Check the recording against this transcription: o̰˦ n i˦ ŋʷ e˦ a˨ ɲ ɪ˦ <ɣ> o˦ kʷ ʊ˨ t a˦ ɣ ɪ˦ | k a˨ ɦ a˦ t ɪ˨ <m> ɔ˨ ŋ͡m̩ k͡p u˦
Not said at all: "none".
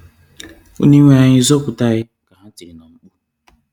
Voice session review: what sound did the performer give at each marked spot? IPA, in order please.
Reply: z, n

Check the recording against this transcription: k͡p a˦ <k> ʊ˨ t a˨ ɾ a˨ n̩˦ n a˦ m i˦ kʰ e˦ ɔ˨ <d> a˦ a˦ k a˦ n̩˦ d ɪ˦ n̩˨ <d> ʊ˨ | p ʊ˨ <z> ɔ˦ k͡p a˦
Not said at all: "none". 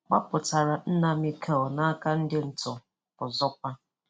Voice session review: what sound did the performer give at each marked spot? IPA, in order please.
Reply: p, n, t, z

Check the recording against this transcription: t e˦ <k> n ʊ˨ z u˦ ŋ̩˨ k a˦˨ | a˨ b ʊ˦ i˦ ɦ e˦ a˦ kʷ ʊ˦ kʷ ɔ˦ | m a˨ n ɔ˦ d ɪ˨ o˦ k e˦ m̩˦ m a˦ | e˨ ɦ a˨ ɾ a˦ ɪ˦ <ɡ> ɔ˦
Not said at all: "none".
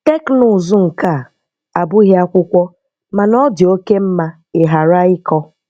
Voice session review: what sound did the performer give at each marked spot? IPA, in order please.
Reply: k, k

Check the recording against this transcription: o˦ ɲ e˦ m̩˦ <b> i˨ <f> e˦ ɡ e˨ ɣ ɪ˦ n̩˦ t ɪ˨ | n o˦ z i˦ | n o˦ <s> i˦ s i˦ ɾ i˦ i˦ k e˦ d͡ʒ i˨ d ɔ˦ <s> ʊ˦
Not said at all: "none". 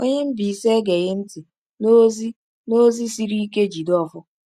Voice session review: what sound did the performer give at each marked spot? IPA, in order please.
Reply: b, s, z, f

